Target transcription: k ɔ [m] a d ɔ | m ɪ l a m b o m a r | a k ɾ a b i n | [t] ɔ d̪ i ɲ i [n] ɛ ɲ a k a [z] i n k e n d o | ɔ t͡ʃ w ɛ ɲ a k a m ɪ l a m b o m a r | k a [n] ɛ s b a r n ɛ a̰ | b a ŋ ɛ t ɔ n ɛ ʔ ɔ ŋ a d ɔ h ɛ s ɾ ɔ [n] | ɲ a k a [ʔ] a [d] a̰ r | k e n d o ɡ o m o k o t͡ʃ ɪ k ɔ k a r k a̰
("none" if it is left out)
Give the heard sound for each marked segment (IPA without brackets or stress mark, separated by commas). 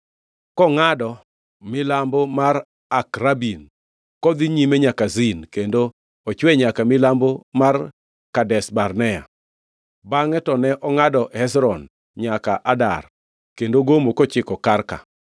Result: ŋ, k, m, z, d, n, ʔ, d